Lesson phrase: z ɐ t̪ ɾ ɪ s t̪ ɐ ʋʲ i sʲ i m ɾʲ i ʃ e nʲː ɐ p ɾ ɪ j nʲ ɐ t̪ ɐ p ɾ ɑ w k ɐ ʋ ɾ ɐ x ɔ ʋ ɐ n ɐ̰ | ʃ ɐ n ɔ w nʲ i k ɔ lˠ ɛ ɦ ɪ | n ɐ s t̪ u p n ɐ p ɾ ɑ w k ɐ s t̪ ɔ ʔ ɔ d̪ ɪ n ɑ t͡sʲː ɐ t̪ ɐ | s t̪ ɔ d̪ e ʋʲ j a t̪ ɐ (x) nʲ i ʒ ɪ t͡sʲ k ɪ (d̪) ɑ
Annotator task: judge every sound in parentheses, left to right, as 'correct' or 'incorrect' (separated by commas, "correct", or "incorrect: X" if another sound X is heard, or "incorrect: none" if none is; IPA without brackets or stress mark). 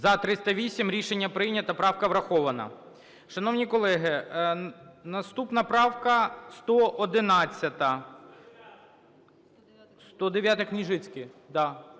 incorrect: k, correct